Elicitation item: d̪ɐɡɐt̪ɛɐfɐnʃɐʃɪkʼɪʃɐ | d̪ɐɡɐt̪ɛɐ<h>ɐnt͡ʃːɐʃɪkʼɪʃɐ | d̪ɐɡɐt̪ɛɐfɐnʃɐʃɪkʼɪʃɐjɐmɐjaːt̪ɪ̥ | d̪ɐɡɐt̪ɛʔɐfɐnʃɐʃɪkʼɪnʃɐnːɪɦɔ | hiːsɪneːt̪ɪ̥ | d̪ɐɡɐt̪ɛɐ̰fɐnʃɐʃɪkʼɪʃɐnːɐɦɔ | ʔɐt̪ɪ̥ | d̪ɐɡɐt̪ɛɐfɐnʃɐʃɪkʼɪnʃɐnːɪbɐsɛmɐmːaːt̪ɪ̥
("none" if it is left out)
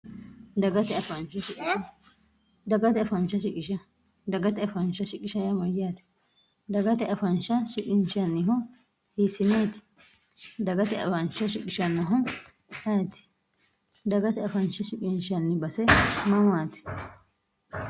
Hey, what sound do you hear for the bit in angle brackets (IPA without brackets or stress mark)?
f